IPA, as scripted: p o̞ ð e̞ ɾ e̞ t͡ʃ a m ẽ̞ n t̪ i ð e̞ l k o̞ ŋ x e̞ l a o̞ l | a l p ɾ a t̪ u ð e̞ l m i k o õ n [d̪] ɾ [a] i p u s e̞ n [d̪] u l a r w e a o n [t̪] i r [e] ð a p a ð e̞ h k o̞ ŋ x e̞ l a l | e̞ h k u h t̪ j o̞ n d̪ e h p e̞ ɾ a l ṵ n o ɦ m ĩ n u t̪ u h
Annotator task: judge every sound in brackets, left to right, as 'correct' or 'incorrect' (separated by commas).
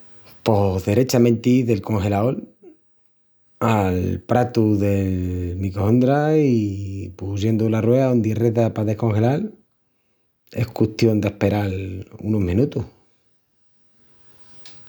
correct, correct, correct, incorrect, correct